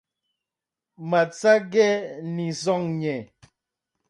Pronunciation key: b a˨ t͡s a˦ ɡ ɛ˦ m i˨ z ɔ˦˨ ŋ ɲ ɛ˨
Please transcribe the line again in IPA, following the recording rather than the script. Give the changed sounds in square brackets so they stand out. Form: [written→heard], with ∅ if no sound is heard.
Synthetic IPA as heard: [b→m] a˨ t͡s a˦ ɡ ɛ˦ [m→n] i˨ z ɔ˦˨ ŋ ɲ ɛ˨